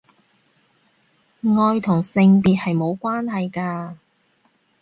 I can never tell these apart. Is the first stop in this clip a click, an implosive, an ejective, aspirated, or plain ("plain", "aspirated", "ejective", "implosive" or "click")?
aspirated